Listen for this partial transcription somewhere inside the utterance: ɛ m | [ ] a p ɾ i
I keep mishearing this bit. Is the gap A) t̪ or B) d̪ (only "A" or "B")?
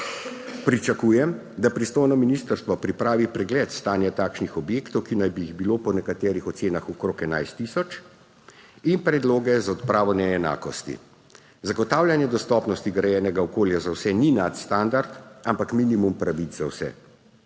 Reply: B